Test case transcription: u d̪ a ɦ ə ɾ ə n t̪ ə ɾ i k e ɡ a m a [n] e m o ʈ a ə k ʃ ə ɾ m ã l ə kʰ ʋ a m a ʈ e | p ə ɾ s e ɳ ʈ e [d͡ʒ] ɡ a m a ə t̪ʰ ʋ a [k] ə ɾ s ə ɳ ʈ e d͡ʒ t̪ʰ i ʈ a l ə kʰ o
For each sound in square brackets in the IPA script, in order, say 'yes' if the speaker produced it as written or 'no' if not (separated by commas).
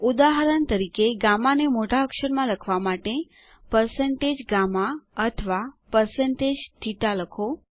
yes, yes, no